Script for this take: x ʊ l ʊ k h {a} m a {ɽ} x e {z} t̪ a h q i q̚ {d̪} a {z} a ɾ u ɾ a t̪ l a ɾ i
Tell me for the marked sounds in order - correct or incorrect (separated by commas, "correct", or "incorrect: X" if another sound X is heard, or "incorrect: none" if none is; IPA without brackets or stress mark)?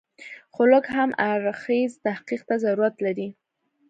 correct, incorrect: ɾ, correct, incorrect: t̪, correct